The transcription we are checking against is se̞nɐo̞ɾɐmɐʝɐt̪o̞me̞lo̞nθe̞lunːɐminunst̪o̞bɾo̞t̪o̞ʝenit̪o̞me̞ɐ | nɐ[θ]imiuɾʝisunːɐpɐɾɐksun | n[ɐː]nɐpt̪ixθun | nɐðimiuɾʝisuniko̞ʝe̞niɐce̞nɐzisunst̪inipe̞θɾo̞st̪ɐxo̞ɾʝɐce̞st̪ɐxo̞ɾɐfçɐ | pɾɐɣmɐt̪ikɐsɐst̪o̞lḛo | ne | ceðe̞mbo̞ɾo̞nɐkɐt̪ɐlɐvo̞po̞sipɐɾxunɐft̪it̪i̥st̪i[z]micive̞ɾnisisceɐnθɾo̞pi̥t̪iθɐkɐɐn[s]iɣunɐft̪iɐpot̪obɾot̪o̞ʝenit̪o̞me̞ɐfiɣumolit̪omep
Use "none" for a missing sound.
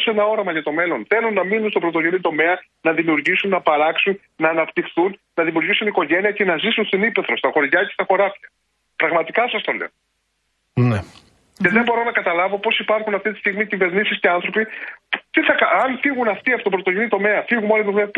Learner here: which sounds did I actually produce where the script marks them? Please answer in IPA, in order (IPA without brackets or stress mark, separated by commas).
ð, ɐː, ɣ, f